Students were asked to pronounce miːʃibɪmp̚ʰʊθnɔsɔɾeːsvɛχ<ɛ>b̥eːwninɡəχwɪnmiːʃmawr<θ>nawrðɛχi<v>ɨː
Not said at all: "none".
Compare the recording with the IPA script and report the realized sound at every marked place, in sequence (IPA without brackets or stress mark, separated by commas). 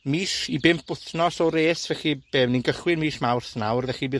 i, θ, b